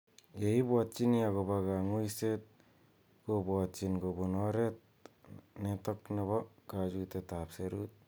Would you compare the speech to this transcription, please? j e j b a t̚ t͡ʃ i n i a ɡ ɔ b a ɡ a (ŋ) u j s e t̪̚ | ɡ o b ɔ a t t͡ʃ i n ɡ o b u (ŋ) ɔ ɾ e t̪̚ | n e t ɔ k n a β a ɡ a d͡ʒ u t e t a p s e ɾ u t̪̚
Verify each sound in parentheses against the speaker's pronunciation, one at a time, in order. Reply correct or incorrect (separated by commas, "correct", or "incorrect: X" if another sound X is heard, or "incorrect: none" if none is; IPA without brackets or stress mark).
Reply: correct, incorrect: n